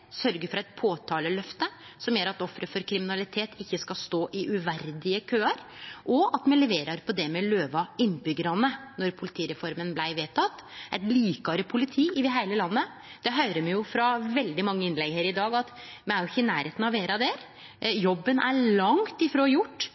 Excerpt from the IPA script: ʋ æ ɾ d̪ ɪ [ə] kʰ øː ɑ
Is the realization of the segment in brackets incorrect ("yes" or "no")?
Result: no